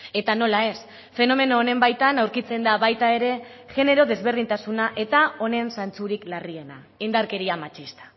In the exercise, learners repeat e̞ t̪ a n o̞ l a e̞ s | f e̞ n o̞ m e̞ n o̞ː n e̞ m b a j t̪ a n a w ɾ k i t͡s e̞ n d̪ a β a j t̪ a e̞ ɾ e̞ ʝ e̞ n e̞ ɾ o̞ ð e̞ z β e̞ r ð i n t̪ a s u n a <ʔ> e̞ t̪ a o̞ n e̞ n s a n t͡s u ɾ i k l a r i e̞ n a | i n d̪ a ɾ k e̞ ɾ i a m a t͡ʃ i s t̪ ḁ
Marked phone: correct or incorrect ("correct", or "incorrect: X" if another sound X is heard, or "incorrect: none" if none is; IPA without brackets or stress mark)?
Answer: correct